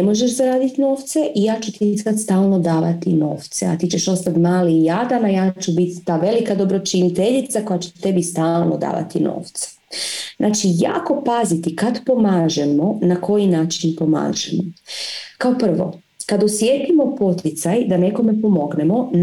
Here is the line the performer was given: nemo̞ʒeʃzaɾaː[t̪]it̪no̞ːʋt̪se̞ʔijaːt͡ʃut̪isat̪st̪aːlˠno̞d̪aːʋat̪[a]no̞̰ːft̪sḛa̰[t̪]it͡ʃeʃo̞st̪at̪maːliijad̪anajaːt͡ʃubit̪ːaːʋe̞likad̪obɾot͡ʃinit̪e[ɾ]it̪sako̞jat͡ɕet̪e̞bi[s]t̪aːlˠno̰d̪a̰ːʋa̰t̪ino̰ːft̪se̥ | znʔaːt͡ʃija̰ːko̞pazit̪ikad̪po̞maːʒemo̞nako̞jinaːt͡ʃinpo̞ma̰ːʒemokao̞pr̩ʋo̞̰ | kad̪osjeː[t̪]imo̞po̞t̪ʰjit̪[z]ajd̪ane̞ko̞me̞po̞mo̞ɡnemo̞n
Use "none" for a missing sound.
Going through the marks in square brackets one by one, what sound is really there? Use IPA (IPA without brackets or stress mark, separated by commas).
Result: d̪, i, t̪, ʎ, s, t̪, s